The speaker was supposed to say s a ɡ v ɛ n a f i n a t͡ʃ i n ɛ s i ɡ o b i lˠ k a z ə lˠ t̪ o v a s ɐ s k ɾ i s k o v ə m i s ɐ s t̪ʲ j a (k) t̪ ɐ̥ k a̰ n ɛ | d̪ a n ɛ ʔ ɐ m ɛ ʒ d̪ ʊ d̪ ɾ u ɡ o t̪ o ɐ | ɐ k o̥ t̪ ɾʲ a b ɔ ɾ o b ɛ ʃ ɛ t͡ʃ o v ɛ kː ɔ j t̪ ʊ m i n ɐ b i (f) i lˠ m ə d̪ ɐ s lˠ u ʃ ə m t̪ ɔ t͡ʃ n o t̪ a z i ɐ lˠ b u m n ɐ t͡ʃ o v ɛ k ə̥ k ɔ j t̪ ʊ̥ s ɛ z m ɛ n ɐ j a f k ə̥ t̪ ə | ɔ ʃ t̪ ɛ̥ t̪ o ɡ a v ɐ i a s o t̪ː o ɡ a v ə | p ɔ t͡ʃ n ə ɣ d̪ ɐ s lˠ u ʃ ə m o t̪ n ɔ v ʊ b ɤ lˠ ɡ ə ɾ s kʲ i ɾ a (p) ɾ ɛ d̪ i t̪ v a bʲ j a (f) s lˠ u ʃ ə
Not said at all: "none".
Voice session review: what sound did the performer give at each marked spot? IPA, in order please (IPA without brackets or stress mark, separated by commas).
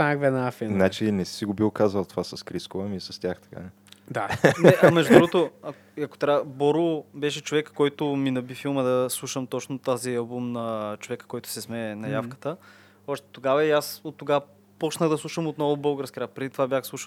x, f, p, x